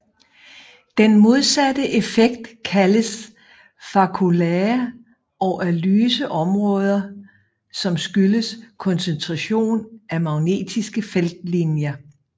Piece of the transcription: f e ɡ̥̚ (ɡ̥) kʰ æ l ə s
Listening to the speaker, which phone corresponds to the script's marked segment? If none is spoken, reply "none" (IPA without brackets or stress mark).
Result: d̥